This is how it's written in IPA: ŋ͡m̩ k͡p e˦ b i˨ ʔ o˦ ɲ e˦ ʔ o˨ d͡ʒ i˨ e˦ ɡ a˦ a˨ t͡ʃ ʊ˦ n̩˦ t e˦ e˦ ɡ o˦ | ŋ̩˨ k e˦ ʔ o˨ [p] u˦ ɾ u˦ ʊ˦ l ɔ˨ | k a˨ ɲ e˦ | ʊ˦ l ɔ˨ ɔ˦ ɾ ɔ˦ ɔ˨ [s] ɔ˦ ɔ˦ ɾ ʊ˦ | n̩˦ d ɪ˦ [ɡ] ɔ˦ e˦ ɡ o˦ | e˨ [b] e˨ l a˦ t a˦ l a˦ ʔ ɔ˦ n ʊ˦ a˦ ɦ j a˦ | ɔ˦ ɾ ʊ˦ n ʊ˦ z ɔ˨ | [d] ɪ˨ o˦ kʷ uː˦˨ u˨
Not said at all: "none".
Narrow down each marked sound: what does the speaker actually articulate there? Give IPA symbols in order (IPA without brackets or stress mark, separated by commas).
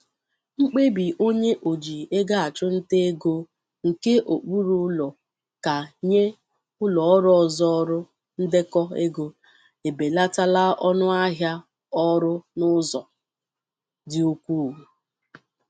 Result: k͡p, z, k, b, d